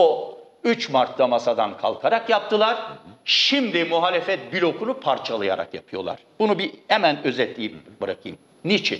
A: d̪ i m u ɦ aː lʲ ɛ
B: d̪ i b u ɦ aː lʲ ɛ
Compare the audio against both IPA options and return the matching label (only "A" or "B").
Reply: A